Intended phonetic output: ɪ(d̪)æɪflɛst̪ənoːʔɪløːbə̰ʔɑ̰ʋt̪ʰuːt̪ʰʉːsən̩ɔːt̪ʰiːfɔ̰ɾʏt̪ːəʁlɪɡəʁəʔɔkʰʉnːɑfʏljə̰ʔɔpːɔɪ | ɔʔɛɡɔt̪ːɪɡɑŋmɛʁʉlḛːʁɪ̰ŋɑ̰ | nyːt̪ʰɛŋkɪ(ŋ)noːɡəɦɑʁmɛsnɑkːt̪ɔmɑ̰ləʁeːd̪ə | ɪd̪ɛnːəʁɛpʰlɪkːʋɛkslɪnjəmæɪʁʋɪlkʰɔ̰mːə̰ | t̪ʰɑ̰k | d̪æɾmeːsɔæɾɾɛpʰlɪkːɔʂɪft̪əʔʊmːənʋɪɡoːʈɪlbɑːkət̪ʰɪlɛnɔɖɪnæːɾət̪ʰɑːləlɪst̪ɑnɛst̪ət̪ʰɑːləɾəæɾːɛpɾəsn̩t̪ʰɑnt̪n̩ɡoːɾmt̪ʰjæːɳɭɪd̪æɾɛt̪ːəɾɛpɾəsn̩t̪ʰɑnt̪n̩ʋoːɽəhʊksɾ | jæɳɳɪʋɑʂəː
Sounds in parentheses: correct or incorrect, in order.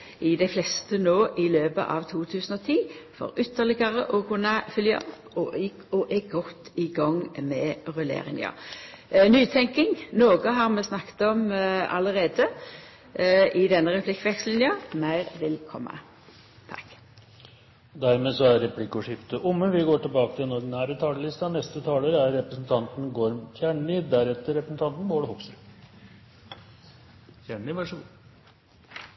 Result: correct, correct

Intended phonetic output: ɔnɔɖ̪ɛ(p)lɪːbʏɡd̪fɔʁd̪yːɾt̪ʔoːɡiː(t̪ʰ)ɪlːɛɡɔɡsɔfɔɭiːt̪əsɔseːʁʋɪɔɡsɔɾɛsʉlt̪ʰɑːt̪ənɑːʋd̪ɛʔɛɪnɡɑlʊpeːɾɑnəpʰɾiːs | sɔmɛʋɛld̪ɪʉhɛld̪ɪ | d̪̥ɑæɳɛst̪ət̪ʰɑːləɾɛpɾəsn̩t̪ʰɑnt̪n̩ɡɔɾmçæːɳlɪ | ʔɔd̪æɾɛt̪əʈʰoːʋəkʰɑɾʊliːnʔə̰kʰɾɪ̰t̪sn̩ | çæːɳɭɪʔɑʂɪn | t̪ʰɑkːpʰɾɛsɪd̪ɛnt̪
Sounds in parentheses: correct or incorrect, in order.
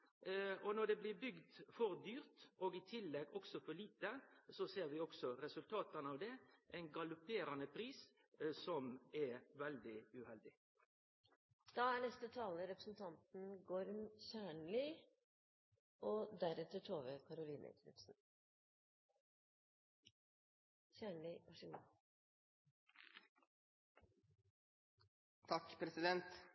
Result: incorrect, correct

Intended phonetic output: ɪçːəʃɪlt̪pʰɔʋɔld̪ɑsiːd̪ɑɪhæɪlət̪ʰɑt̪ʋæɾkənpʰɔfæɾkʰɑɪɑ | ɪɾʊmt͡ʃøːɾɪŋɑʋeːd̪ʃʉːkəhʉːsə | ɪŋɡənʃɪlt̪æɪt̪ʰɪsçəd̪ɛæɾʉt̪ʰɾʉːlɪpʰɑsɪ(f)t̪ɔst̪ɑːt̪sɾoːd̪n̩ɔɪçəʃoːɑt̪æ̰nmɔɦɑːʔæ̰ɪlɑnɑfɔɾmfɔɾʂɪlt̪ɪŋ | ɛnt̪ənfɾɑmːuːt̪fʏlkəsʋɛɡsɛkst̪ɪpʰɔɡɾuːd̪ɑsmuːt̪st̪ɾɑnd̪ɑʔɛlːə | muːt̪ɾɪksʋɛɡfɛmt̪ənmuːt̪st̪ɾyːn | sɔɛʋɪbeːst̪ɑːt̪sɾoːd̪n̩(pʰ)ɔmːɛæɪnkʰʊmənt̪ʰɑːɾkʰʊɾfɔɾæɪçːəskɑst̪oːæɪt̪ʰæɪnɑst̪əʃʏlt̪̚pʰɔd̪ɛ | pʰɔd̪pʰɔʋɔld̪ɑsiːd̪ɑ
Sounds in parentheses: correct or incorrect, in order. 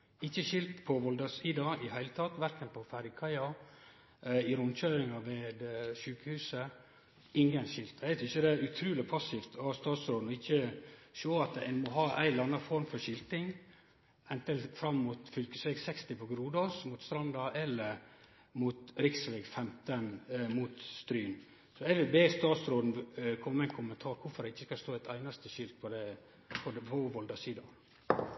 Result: correct, incorrect

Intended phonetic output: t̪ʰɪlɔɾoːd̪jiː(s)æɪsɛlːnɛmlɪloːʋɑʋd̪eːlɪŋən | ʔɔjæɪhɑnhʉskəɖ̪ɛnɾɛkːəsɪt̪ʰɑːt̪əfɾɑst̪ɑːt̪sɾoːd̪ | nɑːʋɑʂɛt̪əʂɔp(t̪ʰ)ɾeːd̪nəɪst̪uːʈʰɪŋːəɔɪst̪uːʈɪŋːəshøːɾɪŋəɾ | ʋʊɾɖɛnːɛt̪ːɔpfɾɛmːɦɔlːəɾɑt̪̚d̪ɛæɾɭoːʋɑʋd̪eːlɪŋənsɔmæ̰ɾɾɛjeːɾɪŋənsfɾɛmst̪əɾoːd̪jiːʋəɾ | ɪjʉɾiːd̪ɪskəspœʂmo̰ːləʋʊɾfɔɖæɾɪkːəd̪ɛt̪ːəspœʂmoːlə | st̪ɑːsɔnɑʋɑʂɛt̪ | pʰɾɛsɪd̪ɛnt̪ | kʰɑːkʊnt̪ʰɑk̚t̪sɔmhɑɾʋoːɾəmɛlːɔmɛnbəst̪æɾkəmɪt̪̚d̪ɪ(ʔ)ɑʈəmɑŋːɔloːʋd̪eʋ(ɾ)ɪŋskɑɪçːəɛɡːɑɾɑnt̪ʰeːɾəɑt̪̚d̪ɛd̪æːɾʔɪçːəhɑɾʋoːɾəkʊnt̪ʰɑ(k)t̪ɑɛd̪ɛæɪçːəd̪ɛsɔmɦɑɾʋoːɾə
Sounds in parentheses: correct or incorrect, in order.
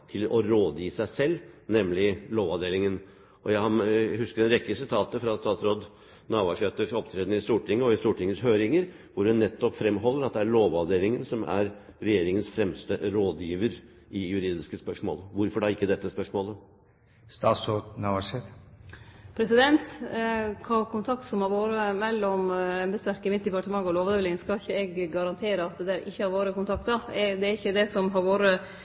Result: correct, correct, incorrect, incorrect, correct

